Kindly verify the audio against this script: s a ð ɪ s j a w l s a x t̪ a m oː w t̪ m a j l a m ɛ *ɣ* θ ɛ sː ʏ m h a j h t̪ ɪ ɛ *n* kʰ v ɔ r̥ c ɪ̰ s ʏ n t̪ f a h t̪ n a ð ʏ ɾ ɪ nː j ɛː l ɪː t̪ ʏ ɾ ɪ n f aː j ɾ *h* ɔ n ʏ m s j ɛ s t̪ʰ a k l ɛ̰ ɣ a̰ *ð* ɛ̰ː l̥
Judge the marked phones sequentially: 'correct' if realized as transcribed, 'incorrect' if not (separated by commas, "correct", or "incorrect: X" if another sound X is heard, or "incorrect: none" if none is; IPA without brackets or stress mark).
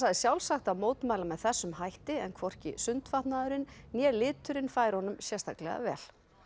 incorrect: ð, correct, correct, incorrect: v